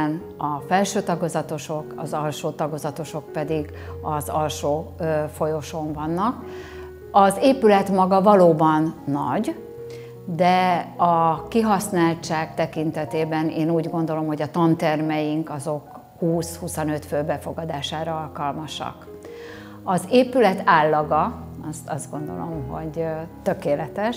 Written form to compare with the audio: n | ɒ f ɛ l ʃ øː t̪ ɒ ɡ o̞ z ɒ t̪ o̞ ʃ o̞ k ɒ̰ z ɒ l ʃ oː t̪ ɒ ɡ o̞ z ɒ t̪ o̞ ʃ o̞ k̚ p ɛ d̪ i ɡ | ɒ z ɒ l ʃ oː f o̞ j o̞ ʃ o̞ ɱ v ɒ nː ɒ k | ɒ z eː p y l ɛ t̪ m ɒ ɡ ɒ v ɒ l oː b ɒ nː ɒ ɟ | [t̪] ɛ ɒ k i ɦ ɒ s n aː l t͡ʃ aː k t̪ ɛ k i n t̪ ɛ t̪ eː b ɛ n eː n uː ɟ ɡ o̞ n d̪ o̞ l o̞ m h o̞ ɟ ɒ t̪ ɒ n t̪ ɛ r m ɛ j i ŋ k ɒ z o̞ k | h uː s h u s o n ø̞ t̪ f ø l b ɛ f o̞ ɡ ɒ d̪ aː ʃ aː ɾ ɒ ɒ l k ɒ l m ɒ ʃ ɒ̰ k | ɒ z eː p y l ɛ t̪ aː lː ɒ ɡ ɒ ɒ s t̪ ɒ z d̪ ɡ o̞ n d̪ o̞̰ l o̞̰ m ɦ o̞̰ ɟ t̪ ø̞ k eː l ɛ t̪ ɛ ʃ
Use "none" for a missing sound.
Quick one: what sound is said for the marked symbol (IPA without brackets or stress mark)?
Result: d̪